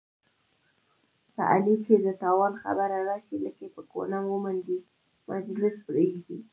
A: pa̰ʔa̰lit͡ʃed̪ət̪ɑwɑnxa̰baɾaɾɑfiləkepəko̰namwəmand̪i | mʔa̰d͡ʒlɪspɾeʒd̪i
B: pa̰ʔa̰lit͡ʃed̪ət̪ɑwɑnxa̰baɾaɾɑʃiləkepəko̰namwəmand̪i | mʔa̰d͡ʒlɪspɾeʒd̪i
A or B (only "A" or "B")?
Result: B